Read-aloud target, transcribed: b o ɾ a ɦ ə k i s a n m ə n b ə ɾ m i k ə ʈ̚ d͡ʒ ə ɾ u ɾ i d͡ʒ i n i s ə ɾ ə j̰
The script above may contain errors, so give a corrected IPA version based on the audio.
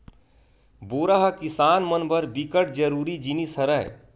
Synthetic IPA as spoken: b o ɾ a ɦ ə k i s a n m ə n b ə ɾ b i k ə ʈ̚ d͡ʒ ə ɾ u ɾ i d͡ʒ i n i s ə ɾ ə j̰